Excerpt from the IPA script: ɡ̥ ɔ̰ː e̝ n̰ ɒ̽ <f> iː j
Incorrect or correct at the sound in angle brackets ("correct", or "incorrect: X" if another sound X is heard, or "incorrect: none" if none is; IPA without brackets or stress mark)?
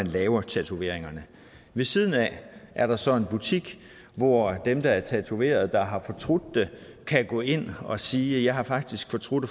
incorrect: s